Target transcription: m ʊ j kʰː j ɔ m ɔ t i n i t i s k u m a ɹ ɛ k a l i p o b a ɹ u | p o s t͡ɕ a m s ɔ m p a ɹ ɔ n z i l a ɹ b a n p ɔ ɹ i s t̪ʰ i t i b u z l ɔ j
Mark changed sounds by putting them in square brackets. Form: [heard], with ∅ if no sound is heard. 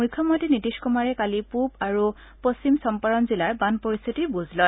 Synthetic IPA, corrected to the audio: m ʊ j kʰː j ɔ m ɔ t i n i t i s k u m a ɹ ɛ k a l i p [u] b a ɹ u | p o s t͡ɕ [i] m s ɔ m p a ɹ ɔ n z i l a ɹ b a n p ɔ ɹ i s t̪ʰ i t i b u z l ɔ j